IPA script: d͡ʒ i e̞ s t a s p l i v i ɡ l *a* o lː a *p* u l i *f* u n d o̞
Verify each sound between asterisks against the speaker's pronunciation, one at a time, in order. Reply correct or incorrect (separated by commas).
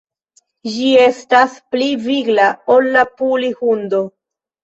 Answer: correct, correct, incorrect